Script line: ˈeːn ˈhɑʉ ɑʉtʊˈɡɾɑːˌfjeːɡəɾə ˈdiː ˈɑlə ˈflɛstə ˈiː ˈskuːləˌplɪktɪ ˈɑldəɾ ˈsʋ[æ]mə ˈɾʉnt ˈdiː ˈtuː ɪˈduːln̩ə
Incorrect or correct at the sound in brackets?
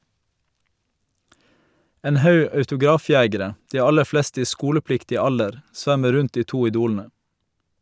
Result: correct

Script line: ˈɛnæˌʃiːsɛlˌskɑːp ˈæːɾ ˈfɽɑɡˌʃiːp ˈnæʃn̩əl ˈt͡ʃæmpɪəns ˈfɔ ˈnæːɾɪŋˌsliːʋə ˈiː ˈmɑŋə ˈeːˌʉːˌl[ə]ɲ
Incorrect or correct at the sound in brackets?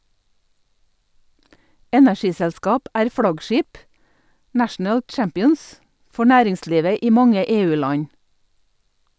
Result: incorrect: ɑ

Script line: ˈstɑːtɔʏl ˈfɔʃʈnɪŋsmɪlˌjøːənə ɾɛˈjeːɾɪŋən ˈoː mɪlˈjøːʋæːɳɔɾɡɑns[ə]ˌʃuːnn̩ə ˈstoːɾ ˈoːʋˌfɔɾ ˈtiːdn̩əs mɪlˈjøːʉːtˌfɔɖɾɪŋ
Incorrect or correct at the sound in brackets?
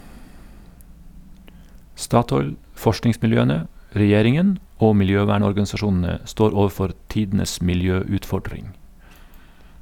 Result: incorrect: ɑ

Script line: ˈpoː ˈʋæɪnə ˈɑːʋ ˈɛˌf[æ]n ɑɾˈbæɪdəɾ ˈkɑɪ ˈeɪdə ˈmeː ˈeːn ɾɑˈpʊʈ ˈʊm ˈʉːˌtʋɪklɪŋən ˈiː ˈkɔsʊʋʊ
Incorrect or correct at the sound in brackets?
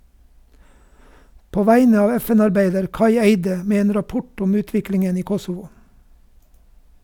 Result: incorrect: ɛ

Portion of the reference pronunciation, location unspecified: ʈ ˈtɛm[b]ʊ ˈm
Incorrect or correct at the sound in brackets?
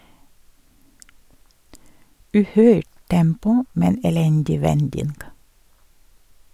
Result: incorrect: p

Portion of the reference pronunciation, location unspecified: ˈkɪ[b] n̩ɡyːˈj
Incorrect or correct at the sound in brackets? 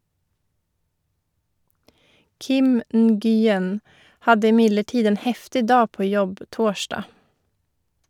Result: incorrect: m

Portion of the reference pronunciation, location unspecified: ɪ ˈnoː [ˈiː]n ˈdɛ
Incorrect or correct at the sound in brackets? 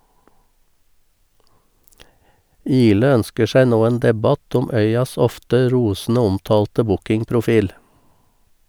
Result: incorrect: eː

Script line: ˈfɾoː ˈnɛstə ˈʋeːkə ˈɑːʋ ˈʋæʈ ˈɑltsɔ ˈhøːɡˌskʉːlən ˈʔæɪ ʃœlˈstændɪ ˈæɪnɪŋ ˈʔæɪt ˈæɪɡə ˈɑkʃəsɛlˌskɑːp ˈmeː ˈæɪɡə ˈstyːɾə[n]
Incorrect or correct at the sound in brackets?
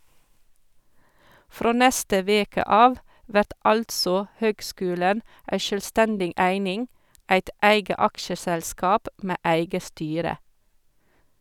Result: incorrect: none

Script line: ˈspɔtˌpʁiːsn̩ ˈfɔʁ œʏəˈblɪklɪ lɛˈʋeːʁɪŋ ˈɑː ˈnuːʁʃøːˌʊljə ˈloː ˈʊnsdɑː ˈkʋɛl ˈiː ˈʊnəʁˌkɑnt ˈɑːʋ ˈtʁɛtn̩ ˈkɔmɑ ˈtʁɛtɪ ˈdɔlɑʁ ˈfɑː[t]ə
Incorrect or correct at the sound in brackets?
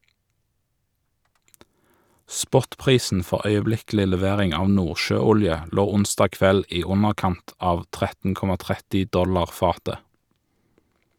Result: correct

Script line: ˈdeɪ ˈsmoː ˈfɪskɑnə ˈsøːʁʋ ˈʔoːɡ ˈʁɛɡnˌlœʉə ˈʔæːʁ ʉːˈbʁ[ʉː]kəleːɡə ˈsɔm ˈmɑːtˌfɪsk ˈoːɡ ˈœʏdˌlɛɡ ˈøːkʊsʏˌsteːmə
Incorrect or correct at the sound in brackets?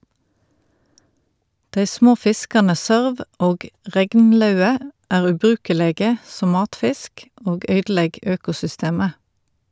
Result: correct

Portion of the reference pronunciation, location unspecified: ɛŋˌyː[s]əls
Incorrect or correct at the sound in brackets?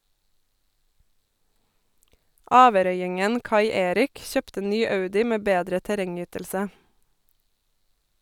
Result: incorrect: t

